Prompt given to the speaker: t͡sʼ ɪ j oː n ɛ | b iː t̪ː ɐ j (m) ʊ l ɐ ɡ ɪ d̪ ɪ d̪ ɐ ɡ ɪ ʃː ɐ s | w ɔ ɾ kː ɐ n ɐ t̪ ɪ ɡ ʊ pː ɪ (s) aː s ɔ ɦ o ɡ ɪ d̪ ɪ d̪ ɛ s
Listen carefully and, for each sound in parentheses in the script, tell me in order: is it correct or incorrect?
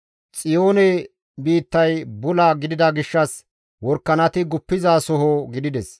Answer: incorrect, incorrect

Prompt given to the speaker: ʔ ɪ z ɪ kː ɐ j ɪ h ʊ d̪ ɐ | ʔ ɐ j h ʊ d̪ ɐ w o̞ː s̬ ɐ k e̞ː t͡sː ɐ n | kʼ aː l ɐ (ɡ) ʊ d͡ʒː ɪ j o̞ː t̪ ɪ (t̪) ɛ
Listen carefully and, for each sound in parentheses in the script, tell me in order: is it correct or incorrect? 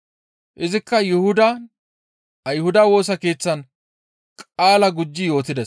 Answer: correct, incorrect

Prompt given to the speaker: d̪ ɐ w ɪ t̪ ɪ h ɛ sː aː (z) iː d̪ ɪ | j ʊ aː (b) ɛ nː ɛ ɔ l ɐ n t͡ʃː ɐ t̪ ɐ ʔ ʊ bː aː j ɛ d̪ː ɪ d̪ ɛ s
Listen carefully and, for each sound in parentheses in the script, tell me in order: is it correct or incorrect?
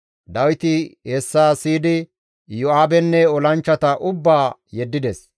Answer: incorrect, correct

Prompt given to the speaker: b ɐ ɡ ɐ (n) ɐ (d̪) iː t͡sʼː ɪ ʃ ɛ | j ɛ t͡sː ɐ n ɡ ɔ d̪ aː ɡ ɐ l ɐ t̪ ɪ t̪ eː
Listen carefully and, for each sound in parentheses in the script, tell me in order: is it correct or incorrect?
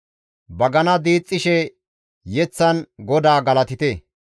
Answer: correct, correct

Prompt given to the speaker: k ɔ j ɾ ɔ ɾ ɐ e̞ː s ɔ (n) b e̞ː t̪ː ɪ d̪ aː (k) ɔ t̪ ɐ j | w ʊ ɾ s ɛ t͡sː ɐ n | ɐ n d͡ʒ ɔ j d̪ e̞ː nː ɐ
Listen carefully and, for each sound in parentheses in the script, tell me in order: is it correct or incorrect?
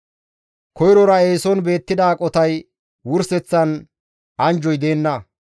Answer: correct, incorrect

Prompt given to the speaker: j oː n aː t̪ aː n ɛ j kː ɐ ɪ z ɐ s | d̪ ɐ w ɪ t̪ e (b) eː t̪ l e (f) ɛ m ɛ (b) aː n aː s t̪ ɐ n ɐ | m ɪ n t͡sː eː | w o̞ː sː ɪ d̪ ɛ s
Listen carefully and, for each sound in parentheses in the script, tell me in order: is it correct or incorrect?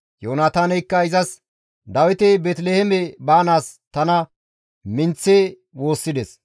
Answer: correct, incorrect, correct

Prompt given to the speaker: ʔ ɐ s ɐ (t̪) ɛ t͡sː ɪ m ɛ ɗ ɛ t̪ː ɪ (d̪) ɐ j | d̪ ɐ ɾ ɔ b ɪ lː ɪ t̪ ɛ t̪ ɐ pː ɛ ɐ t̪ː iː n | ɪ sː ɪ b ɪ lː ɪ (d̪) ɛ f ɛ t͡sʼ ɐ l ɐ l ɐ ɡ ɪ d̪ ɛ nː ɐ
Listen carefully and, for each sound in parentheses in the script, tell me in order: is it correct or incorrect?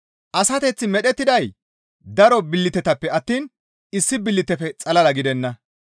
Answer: correct, correct, incorrect

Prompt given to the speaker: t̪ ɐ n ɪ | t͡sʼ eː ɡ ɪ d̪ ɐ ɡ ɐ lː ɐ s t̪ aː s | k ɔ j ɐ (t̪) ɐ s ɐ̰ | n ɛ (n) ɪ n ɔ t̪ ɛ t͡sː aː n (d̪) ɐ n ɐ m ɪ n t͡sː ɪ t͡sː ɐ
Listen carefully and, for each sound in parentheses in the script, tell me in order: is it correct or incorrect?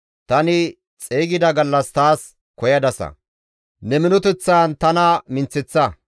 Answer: incorrect, incorrect, incorrect

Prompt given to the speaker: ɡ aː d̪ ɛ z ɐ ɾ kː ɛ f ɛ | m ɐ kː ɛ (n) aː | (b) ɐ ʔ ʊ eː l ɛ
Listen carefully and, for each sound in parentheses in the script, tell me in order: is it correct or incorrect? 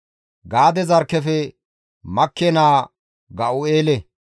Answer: correct, incorrect

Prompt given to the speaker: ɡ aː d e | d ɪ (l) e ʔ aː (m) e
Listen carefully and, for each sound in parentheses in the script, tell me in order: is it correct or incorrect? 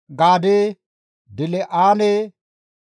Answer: correct, incorrect

